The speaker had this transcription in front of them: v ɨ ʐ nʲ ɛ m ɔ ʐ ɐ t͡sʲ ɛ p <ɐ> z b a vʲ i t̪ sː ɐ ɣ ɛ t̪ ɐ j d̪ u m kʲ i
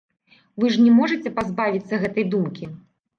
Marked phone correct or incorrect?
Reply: incorrect